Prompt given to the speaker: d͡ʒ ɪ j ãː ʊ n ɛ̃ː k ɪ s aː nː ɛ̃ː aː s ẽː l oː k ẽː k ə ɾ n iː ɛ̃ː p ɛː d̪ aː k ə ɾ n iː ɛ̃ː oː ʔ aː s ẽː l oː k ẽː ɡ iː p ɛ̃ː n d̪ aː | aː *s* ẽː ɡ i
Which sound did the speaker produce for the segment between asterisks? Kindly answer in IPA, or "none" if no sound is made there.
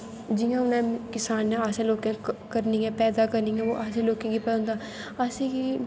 s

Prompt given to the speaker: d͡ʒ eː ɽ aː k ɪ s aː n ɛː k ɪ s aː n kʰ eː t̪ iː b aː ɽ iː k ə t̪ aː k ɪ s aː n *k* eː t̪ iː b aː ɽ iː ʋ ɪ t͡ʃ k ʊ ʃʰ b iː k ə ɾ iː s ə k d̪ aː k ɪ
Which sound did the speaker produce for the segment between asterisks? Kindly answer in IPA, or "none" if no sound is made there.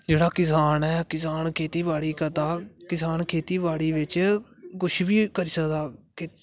kʰ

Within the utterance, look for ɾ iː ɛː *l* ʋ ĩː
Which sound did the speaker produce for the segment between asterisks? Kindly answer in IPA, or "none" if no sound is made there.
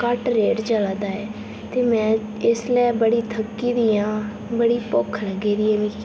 none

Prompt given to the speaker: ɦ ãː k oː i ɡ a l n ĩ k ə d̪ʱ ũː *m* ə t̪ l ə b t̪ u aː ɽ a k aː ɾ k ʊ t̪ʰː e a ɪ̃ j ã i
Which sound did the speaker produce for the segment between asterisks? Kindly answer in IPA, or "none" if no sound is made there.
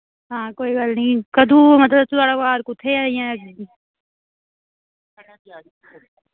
m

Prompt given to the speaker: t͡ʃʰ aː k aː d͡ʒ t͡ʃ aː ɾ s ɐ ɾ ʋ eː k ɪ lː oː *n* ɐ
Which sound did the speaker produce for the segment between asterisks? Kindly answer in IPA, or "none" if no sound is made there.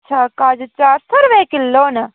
n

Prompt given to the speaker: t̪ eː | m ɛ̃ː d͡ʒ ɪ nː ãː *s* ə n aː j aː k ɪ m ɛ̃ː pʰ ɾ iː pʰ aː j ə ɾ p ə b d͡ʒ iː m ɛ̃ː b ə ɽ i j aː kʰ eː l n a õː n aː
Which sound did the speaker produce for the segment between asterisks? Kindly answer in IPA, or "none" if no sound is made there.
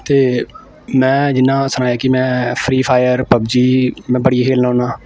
s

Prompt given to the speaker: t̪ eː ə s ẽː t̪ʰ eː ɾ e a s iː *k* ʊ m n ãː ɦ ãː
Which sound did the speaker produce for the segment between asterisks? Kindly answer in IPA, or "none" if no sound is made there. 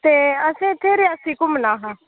k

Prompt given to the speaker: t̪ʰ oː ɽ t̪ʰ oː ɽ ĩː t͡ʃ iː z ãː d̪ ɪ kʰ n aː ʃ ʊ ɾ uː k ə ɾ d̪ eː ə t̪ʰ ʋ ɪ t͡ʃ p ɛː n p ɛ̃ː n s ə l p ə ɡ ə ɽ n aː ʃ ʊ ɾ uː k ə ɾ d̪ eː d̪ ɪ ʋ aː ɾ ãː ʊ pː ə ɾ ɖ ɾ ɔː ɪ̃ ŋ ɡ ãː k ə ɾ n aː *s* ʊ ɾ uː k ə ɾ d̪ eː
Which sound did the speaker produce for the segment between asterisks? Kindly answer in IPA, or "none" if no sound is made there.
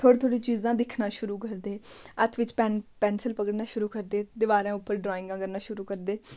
ʃ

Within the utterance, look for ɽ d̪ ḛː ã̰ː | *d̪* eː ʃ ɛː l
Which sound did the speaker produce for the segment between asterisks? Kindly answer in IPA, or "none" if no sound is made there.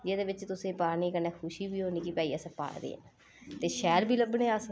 t̪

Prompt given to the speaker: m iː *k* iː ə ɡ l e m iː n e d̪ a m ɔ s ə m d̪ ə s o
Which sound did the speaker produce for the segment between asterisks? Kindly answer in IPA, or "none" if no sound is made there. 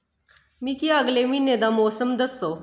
k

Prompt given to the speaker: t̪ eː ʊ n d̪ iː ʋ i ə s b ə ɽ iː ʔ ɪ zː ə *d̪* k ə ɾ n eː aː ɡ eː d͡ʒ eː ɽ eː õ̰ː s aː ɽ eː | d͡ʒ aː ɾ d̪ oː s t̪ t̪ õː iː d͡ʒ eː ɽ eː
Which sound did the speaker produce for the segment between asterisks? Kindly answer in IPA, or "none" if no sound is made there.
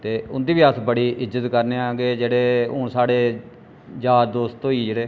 t̪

